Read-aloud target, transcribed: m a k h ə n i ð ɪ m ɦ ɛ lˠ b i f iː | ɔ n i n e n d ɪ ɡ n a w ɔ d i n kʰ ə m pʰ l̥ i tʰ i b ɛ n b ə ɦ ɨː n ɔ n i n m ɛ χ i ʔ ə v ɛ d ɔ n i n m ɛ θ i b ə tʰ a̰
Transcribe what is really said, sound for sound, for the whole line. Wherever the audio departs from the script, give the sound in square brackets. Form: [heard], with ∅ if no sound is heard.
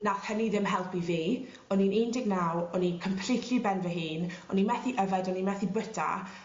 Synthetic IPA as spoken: [n] a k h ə n i ð ɪ m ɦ ɛ lˠ [p] i [v] iː | ɔ n i n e n d ɪ ɡ n a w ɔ [n] i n kʰ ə m pʰ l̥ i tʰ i b ɛ n [v] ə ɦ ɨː n ɔ n i n m ɛ [θ] i ʔ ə v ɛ d ɔ n i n m ɛ θ i b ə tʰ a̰